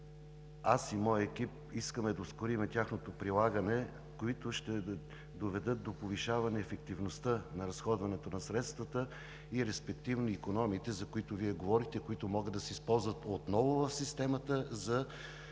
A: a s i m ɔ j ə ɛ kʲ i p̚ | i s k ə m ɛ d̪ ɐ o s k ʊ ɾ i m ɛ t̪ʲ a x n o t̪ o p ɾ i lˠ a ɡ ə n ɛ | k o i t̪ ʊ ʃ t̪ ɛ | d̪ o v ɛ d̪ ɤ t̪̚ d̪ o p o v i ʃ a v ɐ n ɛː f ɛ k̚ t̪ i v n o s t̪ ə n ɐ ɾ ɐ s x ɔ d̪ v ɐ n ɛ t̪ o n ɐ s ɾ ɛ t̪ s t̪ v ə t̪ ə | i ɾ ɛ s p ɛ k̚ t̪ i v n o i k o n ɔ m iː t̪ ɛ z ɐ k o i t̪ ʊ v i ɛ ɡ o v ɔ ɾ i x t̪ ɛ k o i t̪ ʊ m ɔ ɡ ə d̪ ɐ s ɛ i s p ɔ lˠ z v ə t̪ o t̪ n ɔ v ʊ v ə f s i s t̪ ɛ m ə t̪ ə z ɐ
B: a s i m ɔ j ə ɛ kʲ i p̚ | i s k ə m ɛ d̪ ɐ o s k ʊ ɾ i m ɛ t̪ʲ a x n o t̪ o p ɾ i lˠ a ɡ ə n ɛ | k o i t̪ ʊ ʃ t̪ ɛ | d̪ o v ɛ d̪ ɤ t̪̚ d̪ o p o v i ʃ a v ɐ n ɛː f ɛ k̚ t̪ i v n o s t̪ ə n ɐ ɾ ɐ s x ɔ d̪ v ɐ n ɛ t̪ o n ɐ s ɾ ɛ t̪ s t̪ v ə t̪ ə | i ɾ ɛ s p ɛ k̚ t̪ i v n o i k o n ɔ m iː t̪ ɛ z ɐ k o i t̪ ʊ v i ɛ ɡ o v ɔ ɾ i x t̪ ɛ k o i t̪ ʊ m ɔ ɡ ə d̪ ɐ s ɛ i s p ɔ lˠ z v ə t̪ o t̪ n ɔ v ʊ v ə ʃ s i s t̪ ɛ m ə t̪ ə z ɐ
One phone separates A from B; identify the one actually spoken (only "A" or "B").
A